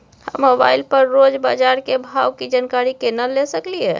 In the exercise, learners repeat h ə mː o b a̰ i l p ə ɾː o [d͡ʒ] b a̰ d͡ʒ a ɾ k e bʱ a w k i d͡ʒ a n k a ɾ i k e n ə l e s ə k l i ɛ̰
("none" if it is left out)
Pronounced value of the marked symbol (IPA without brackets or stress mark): d͡ʒ